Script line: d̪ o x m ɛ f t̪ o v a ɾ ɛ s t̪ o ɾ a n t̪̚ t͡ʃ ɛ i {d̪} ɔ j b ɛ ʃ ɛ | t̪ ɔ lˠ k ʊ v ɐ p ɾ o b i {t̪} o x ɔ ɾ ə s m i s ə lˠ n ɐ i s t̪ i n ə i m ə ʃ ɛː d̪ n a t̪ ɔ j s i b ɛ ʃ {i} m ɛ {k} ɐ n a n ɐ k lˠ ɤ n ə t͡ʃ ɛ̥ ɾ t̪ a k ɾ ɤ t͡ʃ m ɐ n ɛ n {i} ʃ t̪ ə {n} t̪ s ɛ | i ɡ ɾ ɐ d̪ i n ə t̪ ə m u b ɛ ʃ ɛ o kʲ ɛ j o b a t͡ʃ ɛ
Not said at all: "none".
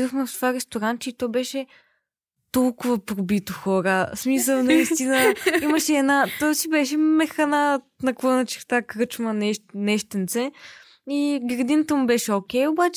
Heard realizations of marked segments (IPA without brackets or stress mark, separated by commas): t̪, t̪, ɛ, x, ɛ, n